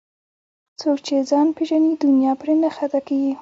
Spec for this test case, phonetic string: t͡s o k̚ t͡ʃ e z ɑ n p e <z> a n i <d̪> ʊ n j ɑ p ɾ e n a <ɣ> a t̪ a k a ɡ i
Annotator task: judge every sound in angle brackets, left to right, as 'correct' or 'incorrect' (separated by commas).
incorrect, correct, incorrect